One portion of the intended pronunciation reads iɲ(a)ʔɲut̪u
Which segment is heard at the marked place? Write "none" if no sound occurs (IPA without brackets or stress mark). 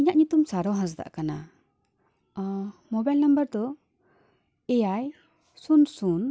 a